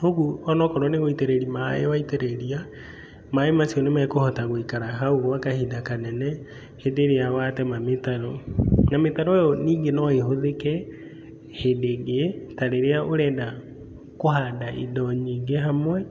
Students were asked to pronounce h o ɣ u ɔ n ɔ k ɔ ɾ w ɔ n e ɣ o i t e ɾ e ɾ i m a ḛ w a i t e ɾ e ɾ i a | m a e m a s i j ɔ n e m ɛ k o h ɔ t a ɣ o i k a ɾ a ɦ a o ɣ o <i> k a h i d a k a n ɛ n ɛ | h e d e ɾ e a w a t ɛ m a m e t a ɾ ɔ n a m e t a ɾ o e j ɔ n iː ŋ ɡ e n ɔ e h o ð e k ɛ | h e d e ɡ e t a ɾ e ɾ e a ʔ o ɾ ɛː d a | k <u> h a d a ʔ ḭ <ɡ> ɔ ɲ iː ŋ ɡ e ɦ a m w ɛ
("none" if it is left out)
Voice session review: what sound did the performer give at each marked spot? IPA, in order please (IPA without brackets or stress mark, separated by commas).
a, o, d